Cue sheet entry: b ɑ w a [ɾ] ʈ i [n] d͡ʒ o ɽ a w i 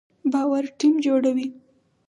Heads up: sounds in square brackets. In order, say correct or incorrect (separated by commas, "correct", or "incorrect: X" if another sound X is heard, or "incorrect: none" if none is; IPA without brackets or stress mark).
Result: correct, incorrect: m